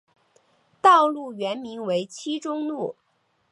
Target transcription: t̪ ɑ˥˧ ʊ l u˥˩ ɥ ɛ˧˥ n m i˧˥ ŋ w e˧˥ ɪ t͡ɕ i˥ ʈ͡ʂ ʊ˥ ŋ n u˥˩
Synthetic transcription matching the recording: t̪ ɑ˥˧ ʊ l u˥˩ ɥ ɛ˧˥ n m i˧˥ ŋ w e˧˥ ɪ t͡ɕʰ i˥ ʈ͡ʂ ʊ˥ ŋ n u˥˩